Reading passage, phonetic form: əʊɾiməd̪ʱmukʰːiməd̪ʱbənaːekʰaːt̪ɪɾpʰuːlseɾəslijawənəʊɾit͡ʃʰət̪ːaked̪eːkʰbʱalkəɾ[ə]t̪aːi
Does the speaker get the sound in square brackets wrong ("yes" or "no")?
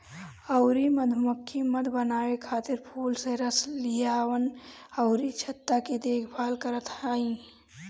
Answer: no